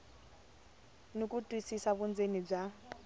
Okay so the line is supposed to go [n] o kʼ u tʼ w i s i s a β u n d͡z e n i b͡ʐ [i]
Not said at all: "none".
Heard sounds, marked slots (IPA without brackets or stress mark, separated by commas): n, a